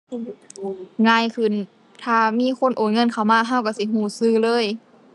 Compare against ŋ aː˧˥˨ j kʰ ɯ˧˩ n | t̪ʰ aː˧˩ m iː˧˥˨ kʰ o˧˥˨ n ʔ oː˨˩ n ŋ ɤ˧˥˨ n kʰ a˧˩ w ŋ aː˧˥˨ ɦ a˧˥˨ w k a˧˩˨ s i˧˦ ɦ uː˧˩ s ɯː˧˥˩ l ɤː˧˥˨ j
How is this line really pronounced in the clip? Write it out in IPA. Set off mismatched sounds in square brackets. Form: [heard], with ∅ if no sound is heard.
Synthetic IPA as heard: ŋ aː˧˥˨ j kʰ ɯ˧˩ n | t̪ʰ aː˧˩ m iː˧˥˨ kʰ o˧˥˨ n ʔ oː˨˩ n ŋ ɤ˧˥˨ n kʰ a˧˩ w [m] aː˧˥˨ ɦ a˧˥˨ w k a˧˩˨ s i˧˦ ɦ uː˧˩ s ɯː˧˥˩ l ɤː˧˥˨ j

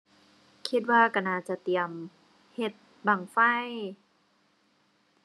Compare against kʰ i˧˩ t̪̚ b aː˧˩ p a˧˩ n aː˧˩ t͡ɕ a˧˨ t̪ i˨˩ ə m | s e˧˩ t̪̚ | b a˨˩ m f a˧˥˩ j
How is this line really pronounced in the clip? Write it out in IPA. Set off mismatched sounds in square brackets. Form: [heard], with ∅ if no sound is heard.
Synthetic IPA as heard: kʰ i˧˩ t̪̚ [w] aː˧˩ [k] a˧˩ n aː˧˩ t͡ɕ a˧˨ t̪ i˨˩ ə m | [h] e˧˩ t̪̚ | b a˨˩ [ŋ] f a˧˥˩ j

